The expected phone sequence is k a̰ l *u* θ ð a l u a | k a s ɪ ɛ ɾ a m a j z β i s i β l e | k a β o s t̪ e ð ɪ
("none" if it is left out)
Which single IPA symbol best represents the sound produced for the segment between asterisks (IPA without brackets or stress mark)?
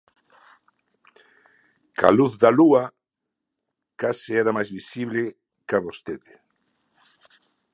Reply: u